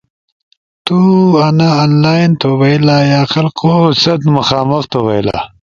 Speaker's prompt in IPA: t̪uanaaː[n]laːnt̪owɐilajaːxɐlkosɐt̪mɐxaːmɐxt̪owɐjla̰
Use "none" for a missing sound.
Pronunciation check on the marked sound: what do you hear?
n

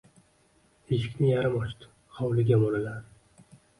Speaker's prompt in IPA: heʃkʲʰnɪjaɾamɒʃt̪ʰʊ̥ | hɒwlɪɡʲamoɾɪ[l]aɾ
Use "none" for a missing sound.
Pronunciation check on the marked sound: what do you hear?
l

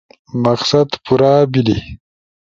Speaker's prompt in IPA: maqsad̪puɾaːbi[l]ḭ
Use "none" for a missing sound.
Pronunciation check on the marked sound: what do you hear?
l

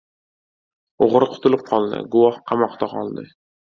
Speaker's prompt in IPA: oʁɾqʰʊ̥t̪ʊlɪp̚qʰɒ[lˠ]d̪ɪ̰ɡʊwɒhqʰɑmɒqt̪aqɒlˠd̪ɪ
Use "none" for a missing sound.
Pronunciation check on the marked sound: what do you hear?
lˠ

